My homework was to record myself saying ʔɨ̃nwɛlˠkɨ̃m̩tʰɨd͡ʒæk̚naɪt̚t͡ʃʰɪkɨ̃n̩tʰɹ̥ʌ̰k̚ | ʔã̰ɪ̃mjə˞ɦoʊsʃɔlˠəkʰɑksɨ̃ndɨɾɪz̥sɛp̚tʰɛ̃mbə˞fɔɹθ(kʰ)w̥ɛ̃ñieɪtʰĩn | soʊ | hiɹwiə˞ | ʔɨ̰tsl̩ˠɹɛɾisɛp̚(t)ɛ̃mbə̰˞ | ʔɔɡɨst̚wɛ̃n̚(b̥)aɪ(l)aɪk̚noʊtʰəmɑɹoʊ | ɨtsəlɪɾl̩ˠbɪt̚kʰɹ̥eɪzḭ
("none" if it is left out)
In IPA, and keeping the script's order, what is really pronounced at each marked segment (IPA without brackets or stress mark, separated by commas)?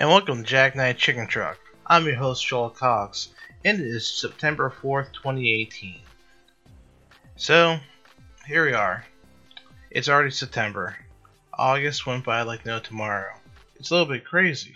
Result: tʰ, tʰ, b̥, l